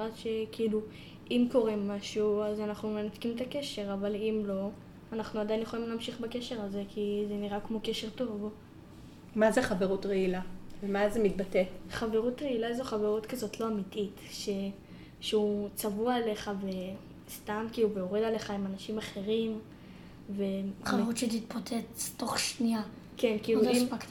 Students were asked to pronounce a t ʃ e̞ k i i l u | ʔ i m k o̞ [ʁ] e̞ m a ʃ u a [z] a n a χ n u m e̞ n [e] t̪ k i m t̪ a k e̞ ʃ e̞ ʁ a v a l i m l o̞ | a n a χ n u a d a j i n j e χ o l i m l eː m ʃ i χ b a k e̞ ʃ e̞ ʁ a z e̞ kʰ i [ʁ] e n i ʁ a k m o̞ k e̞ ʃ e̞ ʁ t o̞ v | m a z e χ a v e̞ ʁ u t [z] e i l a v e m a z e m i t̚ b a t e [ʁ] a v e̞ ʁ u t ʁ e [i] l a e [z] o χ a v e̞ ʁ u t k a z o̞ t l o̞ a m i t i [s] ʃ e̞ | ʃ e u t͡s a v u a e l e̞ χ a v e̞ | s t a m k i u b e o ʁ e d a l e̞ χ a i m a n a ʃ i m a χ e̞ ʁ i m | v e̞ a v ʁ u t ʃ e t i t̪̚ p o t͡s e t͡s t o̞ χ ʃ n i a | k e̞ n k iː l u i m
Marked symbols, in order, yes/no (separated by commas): yes, yes, no, no, no, no, yes, yes, no